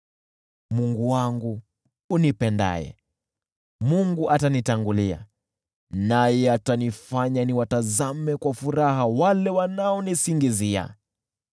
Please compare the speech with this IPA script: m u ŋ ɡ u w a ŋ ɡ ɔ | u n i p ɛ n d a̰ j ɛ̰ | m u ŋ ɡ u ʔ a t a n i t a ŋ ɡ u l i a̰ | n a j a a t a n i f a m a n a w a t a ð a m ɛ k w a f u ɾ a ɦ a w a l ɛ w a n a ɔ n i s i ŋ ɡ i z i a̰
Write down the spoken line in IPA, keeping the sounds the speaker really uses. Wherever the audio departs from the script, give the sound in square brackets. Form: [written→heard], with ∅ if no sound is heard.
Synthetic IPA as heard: m u ŋ ɡ u w a ŋ ɡ [ɔ→u] | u n i p ɛ n d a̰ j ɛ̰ | m u ŋ ɡ u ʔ a t a n i t a ŋ ɡ u l i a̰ | n a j [a→ɛ] a t a n i f a [m→ɲ] a n [a→i] w a t a [ð→z] a m ɛ k w a f u ɾ a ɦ a w a l ɛ w a n a ɔ n i s i ŋ ɡ i z i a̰